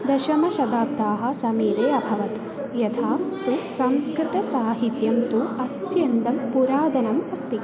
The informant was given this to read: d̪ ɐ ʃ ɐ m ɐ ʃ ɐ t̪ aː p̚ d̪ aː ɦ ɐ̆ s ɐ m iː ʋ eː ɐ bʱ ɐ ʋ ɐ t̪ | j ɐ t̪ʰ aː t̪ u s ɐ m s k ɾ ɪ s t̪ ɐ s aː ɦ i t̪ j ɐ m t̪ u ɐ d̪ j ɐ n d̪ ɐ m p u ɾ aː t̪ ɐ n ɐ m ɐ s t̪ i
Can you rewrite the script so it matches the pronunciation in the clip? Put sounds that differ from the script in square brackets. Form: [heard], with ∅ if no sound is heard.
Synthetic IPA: d̪ ɐ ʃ ɐ m ɐ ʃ ɐ [d̪] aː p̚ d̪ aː ɦ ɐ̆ s ɐ m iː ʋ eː ɐ bʱ ɐ ʋ ɐ t̪ | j ɐ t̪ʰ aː t̪ u s ɐ m s k ɾ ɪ [∅] t̪ ɐ s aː ɦ i t̪ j ɐ m t̪ u ɐ [t̪] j ɐ n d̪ ɐ m p u ɾ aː [d̪] ɐ n ɐ m ɐ s t̪ i